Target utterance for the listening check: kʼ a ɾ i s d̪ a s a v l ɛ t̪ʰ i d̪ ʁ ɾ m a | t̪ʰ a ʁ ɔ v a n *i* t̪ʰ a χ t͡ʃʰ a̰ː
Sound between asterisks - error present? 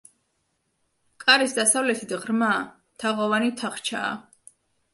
no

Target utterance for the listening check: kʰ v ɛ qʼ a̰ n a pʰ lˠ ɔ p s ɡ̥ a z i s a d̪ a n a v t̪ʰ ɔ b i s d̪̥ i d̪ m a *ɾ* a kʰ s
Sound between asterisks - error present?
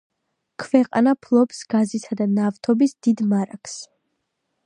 no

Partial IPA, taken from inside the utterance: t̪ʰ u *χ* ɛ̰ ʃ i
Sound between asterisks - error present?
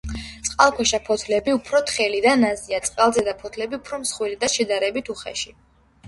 no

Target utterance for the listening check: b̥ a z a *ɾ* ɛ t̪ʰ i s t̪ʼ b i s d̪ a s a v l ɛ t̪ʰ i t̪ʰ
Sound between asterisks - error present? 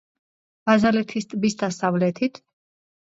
yes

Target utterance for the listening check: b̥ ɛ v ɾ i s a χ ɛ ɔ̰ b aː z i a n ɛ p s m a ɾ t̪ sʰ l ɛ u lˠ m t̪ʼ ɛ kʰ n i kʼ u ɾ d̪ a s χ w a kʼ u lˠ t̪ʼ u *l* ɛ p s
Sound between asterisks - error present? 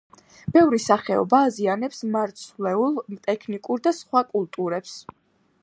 yes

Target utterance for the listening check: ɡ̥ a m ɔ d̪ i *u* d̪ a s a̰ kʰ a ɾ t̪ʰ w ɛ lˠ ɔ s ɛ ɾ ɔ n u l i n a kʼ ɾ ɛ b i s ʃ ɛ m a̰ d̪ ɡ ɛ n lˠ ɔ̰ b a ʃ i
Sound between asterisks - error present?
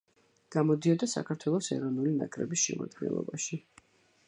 yes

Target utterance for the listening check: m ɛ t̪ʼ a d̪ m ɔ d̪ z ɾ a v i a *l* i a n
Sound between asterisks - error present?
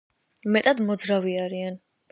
yes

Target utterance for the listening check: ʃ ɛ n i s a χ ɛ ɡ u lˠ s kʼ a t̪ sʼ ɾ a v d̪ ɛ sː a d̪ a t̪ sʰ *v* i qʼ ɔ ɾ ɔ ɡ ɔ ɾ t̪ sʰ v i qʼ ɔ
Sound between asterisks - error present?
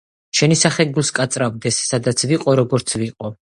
no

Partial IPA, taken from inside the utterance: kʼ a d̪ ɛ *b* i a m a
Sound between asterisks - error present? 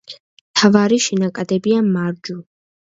no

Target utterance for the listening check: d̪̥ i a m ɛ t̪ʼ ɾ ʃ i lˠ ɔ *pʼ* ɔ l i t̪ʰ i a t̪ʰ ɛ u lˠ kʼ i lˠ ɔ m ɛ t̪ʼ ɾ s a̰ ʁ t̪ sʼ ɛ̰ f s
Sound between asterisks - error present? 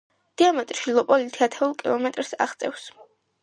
no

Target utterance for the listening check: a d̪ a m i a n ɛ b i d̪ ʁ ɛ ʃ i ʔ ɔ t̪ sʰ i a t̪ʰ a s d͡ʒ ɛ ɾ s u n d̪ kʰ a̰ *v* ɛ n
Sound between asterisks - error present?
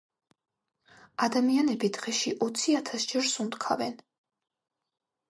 no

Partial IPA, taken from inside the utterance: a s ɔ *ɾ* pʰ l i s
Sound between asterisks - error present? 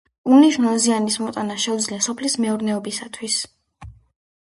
yes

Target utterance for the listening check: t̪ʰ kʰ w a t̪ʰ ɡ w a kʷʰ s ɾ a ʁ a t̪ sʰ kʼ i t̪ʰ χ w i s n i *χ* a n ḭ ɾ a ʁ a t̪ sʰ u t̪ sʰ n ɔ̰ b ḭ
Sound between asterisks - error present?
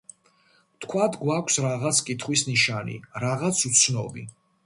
yes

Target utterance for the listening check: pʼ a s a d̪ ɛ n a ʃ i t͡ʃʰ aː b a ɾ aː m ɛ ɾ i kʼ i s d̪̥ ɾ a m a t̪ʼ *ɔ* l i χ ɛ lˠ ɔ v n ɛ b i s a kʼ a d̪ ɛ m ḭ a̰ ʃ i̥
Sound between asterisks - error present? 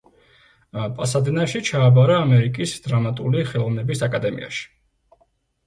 yes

